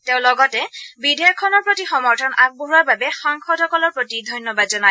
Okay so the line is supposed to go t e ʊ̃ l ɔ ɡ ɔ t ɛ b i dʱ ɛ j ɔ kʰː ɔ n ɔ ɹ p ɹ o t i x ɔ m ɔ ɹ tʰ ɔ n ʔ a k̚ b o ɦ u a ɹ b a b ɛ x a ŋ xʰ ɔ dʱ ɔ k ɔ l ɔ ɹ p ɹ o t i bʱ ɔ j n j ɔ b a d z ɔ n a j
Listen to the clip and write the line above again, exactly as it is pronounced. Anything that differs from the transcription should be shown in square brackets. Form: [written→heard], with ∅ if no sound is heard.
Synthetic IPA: t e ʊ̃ l ɔ ɡ ɔ t ɛ b i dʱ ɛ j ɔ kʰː ɔ n ɔ ɹ p ɹ o t i x ɔ m ɔ ɹ tʰ ɔ n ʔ a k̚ b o ɦ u a ɹ b a b ɛ x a ŋ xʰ ɔ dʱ ɔ k ɔ l ɔ ɹ p ɹ o t i [bʱ→dʱ] ɔ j n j ɔ b a d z ɔ n a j